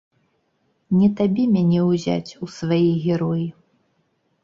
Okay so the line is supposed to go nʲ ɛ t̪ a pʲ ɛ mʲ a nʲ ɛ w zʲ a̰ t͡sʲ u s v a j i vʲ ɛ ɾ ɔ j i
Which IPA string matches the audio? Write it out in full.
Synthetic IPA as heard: nʲ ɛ t̪ a bʲ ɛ mʲ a nʲ ɛ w zʲ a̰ t͡sʲ u s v a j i ɣʲ ɛ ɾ ɔ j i